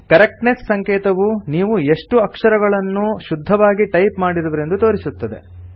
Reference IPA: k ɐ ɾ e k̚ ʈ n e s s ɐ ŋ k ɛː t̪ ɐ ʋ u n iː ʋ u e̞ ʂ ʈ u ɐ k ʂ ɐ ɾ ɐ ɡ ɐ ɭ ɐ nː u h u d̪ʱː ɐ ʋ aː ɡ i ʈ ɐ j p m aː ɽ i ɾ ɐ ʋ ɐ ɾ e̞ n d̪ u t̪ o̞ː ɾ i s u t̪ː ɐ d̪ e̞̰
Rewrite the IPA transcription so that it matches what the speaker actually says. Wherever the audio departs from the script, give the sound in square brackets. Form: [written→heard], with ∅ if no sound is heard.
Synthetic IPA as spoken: k ɐ ɾ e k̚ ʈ n e s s ɐ ŋ k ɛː t̪ ɐ ʋ u n iː ʋ u e̞ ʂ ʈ u ɐ k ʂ ɐ ɾ ɐ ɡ ɐ ɭ ɐ nː u [h→ʃ] u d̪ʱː ɐ ʋ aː ɡ i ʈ ɐ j p m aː ɽ i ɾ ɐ ʋ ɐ ɾ e̞ n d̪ u t̪ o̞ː ɾ i s u t̪ː ɐ d̪ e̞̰